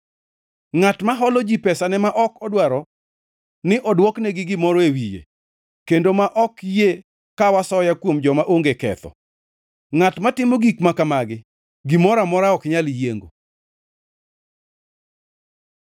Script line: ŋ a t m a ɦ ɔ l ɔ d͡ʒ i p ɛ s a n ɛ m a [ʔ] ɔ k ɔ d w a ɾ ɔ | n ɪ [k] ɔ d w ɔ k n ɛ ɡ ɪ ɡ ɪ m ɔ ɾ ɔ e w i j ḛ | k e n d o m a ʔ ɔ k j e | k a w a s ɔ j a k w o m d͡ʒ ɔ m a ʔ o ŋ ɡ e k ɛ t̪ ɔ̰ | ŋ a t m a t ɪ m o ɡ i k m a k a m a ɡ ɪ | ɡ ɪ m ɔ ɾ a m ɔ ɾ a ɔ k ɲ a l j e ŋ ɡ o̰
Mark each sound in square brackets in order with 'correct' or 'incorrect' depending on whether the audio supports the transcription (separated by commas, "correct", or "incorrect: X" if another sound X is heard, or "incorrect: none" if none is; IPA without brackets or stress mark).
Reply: correct, incorrect: ʔ